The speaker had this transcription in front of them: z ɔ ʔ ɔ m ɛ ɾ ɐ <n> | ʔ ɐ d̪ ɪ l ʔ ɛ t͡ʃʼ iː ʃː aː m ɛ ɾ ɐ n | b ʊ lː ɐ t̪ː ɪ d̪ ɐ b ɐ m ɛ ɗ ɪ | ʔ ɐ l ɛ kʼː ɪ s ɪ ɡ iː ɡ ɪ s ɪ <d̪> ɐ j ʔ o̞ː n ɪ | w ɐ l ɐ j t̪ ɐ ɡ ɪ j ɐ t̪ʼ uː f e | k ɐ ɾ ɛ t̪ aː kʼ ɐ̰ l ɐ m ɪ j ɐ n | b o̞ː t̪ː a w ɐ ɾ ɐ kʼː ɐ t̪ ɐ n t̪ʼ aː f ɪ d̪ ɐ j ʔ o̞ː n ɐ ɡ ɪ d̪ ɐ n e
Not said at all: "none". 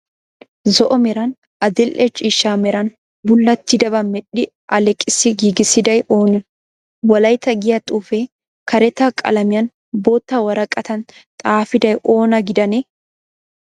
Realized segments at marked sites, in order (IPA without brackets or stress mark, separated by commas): n, d̪